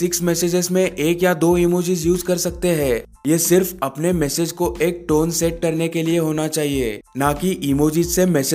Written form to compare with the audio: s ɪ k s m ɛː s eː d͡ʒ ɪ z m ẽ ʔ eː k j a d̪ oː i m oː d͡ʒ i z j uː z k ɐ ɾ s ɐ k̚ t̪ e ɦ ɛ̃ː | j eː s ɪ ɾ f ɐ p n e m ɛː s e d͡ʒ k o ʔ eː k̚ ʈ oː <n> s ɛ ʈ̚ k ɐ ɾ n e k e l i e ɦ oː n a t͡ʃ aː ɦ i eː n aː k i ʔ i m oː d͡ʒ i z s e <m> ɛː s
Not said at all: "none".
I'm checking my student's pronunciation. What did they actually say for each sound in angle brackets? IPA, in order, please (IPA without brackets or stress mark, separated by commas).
n, m